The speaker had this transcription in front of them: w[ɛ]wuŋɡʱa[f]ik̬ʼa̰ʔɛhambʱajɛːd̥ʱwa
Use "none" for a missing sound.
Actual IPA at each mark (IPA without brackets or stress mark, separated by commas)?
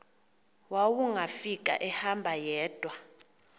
a, f